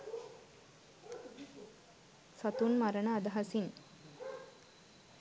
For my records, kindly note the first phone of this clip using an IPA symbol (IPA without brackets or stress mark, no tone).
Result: s